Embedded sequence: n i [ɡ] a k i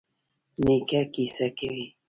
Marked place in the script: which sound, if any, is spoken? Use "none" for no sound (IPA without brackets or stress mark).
k